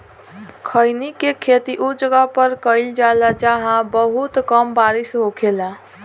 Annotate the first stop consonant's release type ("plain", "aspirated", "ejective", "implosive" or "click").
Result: aspirated